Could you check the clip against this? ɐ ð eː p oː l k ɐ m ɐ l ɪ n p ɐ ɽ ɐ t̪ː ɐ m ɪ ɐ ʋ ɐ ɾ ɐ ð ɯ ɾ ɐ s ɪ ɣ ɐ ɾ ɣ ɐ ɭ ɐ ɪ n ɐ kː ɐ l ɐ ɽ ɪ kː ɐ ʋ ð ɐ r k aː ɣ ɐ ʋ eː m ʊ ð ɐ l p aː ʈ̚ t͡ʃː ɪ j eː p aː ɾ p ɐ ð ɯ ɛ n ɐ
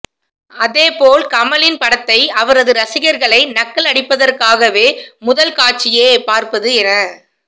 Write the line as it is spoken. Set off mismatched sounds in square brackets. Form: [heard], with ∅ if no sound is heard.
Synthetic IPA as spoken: ɐ ð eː p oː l k ɐ m ɐ l ɪ n p ɐ ɽ ɐ t̪ː ɐ [∅] ɪ ɐ ʋ ɐ ɾ ɐ ð ɯ ɾ ɐ s ɪ ɣ ɐ ɾ ɣ ɐ ɭ ɐ ɪ n ɐ kː ɐ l ɐ ɽ ɪ [pː] ɐ [∅] ð ɐ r k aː ɣ ɐ ʋ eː m ʊ ð ɐ l [k] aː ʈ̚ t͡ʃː ɪ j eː p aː ɾ p ɐ ð ɯ ɛ n ɐ